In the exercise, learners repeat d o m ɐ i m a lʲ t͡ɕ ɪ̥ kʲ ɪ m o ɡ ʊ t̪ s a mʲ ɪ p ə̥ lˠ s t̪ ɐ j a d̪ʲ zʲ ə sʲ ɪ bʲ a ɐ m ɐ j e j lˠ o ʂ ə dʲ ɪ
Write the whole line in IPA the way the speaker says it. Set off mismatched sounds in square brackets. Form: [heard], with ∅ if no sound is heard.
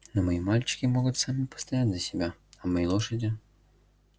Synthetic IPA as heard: [n] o m ɐ i m a lʲ t͡ɕ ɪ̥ kʲ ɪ m o ɡ ʊ t̪ s a mʲ ɪ p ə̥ [∅] s t̪ ɐ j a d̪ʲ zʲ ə sʲ ɪ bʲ a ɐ m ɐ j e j lˠ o ʂ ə dʲ ɪ